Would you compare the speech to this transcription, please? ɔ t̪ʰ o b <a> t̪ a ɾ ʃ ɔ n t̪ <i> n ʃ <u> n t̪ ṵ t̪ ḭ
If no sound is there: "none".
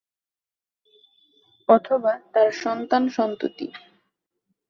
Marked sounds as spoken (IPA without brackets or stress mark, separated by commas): a, a, ɔ